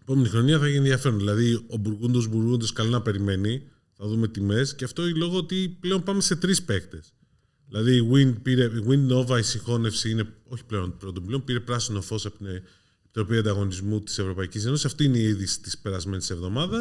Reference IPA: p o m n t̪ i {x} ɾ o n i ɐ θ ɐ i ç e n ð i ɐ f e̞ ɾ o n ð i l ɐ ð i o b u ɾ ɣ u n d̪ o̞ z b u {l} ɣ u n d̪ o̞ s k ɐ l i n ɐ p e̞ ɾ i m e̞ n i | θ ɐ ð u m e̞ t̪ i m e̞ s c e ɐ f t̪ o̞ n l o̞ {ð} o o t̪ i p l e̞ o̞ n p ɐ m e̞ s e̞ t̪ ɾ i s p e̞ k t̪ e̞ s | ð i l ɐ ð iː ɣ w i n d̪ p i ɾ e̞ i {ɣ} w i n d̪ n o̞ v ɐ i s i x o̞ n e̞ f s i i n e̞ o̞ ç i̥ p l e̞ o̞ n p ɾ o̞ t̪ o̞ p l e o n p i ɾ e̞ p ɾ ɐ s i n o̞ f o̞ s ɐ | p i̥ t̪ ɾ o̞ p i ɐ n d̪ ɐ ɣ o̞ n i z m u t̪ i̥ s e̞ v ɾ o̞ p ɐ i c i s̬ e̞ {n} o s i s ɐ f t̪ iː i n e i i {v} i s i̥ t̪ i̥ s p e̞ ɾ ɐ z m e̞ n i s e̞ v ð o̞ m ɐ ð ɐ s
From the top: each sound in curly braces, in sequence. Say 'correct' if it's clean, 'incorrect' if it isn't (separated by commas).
correct, incorrect, incorrect, correct, correct, incorrect